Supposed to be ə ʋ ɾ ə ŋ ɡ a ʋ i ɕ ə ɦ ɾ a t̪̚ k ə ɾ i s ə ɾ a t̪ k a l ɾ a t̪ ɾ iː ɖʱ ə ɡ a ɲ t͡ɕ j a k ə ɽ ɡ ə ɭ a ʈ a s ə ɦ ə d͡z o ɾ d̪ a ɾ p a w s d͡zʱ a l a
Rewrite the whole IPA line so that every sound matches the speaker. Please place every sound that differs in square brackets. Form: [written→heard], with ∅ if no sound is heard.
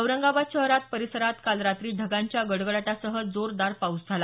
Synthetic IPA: ə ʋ ɾ ə ŋ ɡ a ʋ [i→a] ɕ ə ɦ ɾ a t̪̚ [k→p] ə ɾ i s ə ɾ a t̪ k a l ɾ a t̪ ɾ iː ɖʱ ə ɡ a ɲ t͡ɕ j a [k→ɡ] ə ɽ ɡ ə ɭ a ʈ a s ə ɦ ə d͡z o ɾ d̪ a ɾ p a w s d͡zʱ a l a